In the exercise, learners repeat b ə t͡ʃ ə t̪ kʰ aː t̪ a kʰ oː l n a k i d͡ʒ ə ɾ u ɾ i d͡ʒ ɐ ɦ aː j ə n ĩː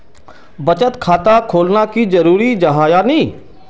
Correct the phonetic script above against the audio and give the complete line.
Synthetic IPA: b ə t͡ʃ ə t̪ kʰ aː t̪ a kʰ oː l n a k i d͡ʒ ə ɾ uː ɾ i d͡ʒ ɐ ɦ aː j a n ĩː